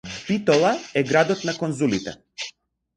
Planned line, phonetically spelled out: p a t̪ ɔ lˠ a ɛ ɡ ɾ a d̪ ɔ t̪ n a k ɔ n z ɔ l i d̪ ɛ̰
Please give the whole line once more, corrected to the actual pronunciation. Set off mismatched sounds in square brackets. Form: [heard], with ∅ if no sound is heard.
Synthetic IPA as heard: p [i] t̪ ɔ lˠ a ɛ ɡ ɾ a d̪ ɔ t̪ n a k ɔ n z [u] l i [t̪] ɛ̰